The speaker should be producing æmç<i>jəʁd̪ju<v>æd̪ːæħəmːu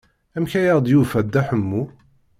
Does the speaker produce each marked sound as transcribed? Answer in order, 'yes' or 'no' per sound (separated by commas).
no, no